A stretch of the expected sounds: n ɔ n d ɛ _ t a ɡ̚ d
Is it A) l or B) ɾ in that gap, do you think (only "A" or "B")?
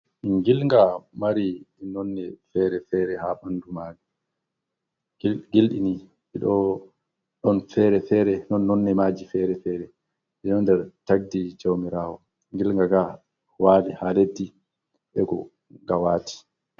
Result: B